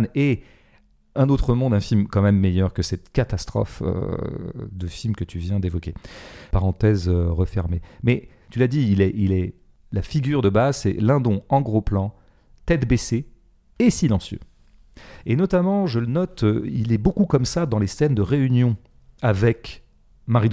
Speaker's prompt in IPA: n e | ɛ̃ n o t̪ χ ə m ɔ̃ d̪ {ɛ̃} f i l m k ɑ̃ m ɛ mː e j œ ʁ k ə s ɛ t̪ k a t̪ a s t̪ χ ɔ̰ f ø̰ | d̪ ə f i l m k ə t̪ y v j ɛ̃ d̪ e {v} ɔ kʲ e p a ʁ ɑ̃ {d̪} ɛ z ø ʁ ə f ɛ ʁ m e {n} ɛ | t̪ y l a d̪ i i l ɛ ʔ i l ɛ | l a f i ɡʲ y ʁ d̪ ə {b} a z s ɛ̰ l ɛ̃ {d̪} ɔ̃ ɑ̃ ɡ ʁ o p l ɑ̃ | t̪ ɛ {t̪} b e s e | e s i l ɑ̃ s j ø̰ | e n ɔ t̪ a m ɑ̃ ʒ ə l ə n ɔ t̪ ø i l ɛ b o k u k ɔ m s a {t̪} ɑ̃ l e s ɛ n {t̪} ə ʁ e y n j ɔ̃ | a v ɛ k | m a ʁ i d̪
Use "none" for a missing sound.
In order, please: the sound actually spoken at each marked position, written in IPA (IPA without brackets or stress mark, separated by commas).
ɛ̃, v, t̪, m, b, d̪, t̪, d̪, d̪